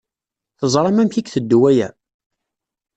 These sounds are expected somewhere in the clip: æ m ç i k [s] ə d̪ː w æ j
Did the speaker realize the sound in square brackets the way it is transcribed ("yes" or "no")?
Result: no